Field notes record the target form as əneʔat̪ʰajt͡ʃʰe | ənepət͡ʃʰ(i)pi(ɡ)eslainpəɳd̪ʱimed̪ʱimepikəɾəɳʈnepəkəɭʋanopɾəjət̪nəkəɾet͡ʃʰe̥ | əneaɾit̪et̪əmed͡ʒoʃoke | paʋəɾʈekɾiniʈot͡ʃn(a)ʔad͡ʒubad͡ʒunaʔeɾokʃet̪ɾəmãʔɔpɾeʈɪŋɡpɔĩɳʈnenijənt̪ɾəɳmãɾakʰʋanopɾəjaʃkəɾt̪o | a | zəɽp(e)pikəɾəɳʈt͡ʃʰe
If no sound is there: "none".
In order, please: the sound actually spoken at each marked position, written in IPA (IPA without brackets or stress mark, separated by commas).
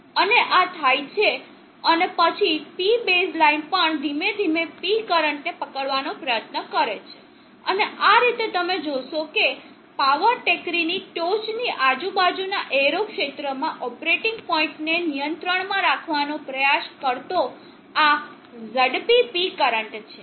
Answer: i, b, i, i